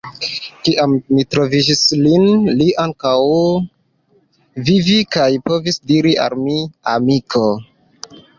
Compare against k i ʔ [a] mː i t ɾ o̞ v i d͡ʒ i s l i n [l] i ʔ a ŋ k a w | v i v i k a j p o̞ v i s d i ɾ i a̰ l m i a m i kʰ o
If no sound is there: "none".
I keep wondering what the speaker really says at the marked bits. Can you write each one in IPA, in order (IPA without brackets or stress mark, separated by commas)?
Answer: a, l